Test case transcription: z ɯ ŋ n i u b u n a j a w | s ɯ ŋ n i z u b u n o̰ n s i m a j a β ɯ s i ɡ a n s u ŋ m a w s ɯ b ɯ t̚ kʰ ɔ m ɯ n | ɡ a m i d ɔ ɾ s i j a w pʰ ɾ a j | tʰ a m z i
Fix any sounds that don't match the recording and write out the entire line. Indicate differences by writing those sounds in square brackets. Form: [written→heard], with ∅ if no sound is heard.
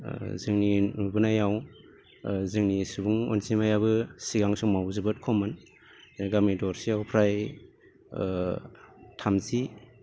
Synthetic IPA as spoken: z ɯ ŋ n i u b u n a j a w | [s→z] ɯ ŋ n i [z→s] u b u [n→ŋ] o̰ n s i m a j a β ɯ s i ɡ a [n→ŋ] s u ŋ m a w [s→z] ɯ b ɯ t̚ kʰ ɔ m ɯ n | ɡ a m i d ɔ ɾ s i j a w pʰ ɾ a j | tʰ a m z i